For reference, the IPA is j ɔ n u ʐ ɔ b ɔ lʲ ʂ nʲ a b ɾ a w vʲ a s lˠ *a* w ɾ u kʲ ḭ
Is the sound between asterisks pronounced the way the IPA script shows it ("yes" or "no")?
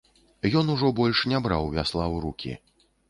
yes